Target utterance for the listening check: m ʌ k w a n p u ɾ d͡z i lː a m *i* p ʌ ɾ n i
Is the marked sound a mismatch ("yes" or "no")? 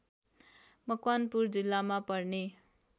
yes